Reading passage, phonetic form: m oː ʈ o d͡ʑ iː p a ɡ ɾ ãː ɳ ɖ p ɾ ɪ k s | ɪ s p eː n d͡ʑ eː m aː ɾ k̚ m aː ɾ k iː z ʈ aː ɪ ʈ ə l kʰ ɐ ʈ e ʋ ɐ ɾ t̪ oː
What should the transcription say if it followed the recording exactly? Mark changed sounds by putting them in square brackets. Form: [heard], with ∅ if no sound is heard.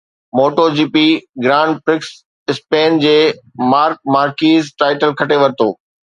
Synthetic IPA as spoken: m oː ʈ o d͡ʑ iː p [i] ɡ ɾ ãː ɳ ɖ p ɾ ɪ k s | ɪ s p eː n d͡ʑ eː m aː ɾ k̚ m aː ɾ k iː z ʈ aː ɪ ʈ ə l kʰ ɐ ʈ e ʋ ɐ ɾ t̪ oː